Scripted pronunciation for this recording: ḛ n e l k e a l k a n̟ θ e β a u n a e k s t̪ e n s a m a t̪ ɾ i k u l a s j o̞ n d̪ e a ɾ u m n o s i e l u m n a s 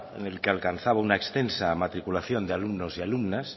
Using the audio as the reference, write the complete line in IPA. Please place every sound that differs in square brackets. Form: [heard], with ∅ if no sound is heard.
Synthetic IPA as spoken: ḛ n e l k e a l k a n̟ θ [a] β a u n a e k s t̪ e n s a m a t̪ ɾ i k u l a [θ] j o̞ n d̪ e a [l] u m n o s i [a] l u m n a s